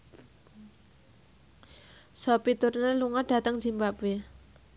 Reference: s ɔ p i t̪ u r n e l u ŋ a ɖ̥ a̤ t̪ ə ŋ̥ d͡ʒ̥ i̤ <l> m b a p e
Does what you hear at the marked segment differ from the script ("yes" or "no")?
yes